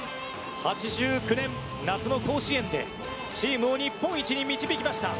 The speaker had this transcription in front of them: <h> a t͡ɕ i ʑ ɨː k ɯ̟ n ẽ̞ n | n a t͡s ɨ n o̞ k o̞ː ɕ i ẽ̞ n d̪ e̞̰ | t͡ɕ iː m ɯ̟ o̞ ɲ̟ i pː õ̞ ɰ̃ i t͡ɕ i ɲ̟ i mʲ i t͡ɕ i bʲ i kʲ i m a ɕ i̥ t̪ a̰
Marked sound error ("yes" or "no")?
no